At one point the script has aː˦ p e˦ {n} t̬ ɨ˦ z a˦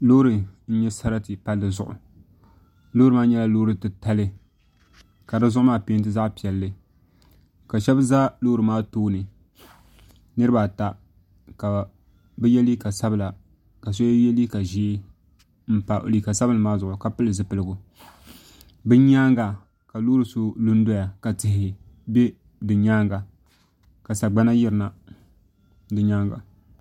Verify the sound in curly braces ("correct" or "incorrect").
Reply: correct